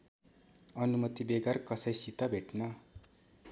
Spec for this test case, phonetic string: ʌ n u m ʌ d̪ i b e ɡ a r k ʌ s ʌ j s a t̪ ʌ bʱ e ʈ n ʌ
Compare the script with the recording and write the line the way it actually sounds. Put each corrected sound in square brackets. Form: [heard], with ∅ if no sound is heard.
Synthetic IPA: ʌ n u m ʌ [t̪] i b e ɡ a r k ʌ s ʌ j s [i] t̪ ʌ bʱ e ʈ n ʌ